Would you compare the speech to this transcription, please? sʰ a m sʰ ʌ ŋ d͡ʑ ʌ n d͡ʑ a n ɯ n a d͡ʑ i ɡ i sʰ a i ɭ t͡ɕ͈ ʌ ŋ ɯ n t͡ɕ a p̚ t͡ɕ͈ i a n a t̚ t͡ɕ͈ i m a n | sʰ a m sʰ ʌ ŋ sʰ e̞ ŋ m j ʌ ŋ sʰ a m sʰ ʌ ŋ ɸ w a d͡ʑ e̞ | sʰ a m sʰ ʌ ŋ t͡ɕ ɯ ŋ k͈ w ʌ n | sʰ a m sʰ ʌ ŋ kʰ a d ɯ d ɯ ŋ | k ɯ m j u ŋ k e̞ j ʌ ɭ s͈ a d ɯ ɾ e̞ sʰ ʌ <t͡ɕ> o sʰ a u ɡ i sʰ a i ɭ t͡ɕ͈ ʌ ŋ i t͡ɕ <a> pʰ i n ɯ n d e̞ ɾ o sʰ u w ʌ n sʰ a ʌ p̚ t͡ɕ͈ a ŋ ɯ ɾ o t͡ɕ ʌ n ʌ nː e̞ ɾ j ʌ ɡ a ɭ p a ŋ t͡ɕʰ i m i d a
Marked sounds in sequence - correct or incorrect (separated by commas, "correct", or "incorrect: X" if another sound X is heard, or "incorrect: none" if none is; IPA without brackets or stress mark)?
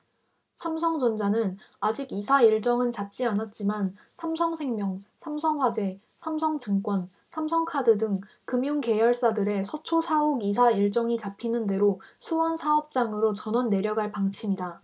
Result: incorrect: t͡ɕʰ, correct